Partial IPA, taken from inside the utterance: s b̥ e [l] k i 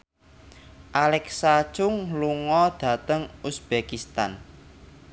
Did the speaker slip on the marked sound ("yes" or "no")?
yes